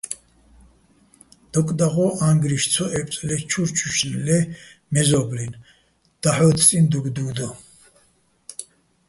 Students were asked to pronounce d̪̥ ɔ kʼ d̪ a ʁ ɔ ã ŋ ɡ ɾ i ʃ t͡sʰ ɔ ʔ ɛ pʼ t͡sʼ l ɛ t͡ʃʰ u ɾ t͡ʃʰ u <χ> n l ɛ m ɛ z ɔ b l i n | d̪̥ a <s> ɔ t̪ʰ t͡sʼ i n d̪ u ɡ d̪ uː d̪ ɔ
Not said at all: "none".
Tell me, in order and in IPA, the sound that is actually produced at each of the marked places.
ʃ, ħ

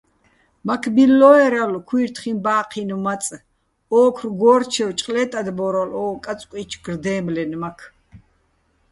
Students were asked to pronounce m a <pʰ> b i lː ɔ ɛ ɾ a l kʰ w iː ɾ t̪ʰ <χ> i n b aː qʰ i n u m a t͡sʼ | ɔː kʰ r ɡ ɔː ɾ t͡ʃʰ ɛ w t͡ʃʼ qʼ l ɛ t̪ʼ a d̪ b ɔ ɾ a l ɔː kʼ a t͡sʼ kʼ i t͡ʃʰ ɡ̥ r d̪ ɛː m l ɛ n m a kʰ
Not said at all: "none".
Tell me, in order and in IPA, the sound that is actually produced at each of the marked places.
kʰ, χ

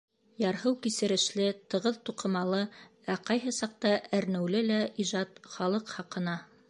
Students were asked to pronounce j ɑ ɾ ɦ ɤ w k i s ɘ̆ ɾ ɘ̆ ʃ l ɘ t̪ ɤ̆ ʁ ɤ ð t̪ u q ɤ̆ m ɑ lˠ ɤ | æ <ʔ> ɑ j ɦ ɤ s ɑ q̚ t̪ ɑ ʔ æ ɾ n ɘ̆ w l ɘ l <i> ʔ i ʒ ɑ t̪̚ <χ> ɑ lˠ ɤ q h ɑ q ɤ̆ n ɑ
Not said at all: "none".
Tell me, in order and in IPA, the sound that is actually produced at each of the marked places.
q, æ, χ

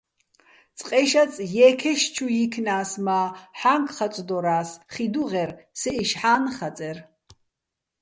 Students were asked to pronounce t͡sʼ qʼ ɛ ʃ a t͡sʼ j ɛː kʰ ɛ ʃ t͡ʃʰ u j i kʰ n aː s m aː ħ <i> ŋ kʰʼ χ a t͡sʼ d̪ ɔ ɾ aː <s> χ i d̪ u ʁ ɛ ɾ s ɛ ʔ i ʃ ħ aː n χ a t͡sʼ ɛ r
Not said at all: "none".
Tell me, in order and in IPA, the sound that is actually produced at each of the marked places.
a, s

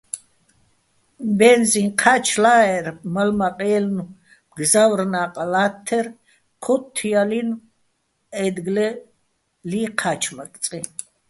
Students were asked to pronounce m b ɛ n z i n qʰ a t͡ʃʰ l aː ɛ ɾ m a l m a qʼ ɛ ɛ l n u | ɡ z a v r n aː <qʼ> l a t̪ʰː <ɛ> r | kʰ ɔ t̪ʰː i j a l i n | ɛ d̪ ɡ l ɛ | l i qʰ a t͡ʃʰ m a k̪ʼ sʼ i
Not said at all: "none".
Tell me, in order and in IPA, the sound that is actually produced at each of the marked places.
qʼ, ɛ

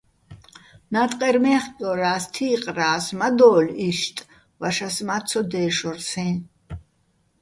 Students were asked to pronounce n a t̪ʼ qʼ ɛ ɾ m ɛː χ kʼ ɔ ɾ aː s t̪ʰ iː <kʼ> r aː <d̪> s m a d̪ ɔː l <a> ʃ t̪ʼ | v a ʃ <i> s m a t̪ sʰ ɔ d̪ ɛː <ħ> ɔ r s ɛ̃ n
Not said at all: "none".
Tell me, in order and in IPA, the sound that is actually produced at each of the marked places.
qʼ, none, i, a, ʃ

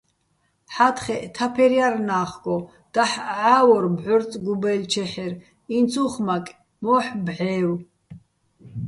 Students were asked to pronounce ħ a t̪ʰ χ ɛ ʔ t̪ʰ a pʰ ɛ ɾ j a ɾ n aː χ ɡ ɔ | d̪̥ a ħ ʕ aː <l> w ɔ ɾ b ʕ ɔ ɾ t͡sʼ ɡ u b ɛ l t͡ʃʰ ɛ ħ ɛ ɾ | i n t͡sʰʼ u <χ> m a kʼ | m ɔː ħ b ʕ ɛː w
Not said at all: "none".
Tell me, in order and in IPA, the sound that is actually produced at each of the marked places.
none, χ

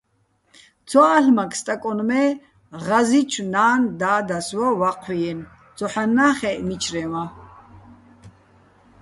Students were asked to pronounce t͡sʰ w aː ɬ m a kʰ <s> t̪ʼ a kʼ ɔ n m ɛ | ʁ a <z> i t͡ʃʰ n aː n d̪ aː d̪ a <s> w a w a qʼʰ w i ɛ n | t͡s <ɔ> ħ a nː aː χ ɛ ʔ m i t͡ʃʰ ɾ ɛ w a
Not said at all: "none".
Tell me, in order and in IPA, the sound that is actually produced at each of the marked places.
s, z, s, ɔ

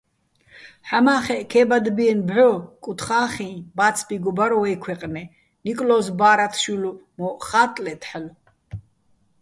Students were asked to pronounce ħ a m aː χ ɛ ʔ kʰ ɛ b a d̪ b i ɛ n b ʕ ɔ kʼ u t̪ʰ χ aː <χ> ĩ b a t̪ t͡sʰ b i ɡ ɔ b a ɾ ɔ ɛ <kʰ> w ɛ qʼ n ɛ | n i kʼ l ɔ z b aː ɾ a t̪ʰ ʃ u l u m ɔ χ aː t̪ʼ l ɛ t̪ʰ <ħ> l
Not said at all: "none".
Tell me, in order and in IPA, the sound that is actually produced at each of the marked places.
χ, kʰ, ħ

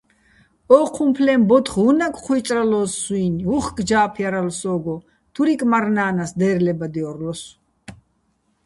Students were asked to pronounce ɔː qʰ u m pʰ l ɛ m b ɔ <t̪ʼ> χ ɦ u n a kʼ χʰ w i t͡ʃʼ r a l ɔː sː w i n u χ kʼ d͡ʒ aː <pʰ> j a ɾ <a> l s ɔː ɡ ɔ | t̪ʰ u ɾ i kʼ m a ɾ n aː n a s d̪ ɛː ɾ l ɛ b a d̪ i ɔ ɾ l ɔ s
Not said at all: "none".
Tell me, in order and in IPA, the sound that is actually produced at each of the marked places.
t̪, pʰ, a

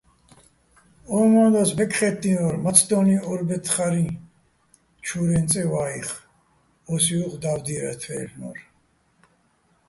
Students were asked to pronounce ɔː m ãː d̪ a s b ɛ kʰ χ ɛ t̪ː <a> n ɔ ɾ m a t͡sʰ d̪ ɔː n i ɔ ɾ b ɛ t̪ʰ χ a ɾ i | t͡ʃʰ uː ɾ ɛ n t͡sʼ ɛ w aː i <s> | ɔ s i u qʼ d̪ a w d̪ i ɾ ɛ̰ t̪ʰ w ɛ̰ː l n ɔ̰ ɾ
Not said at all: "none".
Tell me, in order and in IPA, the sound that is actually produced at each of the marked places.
i, χ

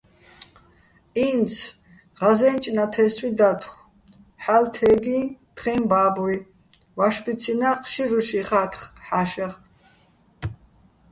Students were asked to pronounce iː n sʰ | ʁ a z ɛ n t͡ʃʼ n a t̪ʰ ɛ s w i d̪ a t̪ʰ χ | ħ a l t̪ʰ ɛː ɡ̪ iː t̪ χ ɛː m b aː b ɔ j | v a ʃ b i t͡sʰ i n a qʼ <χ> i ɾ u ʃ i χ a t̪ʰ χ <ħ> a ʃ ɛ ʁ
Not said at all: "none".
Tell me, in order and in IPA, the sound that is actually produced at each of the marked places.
ʃ, ħ

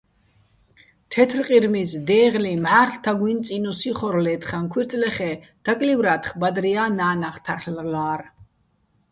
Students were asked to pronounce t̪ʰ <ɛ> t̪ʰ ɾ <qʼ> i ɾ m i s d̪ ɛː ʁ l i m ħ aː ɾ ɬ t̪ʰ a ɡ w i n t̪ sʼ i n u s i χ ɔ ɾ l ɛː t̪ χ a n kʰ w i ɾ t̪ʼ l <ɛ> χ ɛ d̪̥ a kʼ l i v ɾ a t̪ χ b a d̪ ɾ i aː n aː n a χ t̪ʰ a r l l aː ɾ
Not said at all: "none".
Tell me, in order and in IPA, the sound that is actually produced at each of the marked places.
ɛ, qʼ, ɛ

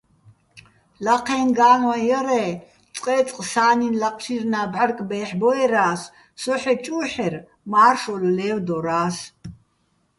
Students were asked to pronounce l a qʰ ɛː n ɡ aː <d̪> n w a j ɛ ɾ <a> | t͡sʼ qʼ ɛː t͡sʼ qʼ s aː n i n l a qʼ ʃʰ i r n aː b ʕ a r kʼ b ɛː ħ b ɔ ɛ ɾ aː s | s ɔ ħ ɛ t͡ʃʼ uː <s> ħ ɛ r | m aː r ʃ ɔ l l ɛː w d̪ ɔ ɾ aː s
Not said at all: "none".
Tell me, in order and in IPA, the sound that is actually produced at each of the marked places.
none, ɛ, none

